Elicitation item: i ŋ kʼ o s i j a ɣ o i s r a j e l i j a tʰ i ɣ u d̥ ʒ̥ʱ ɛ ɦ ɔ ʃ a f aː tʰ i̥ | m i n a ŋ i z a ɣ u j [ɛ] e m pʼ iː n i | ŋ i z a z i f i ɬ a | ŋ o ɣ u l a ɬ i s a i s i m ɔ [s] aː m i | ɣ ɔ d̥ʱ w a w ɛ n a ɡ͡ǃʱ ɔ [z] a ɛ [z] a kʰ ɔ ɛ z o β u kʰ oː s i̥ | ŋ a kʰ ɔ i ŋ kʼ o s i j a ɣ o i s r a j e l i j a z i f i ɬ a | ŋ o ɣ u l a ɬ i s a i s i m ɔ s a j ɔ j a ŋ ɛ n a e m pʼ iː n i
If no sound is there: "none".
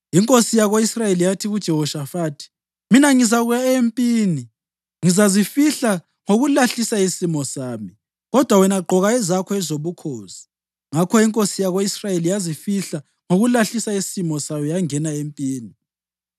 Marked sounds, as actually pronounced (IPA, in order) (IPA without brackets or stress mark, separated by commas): a, s, ɣ, z